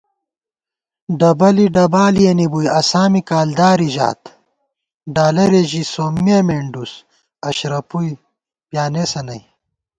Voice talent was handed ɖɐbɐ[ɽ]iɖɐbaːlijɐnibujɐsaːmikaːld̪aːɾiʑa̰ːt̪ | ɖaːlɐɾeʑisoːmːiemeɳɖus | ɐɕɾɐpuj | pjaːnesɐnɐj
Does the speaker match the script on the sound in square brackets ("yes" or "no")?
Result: no